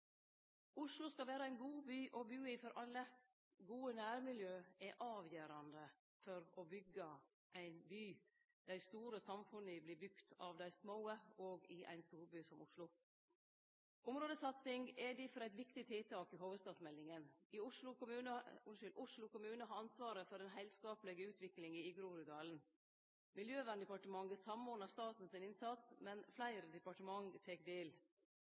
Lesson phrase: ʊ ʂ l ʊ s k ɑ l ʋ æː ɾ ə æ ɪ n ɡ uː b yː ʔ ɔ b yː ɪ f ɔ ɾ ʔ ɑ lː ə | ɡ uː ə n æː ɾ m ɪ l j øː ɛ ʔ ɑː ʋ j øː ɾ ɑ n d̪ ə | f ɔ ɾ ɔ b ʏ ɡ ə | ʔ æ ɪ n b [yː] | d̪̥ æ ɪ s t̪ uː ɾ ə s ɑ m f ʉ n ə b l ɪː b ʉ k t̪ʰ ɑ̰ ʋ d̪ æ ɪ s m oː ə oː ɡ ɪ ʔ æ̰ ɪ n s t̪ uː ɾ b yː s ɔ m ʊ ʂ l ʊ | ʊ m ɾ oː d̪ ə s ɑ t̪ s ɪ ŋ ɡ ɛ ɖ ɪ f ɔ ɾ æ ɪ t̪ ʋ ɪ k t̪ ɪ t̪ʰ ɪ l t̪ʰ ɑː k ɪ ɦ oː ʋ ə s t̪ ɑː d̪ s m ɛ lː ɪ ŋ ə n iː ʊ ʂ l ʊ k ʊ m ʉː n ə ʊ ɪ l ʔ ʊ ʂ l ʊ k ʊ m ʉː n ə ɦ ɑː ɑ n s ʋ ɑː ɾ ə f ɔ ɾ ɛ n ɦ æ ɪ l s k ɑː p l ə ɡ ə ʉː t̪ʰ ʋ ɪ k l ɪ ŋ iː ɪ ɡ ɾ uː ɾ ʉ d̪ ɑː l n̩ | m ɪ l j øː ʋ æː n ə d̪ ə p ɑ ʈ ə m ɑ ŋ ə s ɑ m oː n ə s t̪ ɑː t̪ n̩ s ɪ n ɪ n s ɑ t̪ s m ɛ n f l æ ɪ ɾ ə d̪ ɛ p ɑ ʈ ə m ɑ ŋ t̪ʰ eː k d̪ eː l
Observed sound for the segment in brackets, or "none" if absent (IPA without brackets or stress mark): yː